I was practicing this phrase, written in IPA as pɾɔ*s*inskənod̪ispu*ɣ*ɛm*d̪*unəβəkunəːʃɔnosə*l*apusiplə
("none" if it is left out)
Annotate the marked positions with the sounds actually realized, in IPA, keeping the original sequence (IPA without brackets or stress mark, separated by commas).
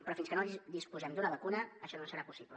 f, z, d̪, ɾ